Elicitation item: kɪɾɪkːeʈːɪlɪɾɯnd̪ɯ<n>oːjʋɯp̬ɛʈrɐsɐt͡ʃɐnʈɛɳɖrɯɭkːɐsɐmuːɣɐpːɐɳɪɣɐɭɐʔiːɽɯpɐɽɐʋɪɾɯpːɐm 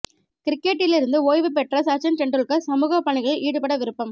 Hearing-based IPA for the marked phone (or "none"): none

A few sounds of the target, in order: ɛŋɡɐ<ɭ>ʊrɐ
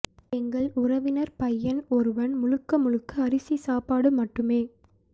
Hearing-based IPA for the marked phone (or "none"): ɭ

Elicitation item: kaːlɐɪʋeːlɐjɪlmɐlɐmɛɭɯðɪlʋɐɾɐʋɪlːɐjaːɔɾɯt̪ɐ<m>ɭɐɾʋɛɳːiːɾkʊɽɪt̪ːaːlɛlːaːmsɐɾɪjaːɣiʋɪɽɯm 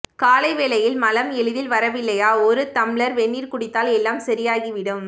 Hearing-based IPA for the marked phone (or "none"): m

